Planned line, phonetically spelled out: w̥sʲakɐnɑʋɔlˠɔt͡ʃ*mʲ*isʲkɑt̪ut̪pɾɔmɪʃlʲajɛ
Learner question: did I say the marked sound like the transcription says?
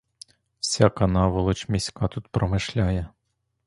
yes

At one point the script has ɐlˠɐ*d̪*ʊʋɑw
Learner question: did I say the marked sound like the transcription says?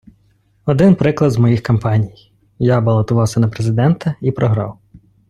no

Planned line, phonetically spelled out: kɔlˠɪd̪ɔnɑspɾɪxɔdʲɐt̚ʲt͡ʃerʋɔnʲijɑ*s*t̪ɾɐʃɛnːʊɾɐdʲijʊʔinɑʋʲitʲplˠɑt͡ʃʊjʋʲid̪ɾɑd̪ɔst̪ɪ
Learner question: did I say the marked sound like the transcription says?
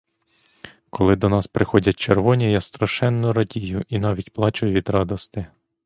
yes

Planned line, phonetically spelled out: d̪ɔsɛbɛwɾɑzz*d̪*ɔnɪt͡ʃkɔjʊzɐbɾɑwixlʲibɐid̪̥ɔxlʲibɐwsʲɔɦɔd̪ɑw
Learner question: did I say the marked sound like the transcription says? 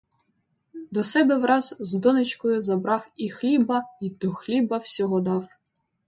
yes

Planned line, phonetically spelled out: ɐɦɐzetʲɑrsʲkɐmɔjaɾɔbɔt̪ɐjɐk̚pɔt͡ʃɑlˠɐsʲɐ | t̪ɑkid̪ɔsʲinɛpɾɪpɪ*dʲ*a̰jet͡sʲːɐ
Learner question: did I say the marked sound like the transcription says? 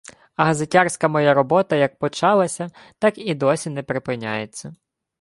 no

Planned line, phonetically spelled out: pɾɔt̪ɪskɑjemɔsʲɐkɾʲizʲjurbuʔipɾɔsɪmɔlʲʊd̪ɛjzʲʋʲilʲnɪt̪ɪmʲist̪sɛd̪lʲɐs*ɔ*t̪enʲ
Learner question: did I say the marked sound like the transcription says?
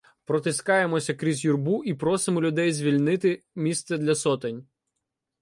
yes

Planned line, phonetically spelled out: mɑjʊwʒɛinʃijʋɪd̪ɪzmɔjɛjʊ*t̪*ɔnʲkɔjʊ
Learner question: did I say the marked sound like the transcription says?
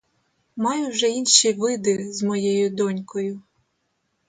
no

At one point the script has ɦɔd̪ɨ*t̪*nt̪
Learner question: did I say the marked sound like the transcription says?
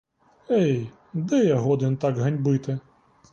no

